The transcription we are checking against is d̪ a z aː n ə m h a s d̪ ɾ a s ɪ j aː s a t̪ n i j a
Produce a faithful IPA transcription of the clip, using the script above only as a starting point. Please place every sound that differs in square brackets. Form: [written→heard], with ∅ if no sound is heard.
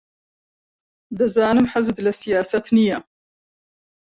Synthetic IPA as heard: d̪ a z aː n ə m [h→ħ] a [s→z] d̪ [ɾ→l] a s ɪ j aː s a t̪ n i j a